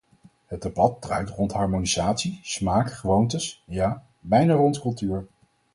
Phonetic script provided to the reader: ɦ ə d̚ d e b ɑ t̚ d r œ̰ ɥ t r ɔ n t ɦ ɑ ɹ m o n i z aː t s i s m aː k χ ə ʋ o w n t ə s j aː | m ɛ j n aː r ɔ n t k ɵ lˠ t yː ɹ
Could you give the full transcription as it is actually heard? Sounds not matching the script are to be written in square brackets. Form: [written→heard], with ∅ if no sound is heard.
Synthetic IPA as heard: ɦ ə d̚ d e b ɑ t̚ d r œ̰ ɥ t r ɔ n t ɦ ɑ ɹ m o n i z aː t s i s m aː k χ ə ʋ o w n t ə s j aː | [m→b] ɛ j n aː r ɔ n t k ɵ lˠ t yː ɹ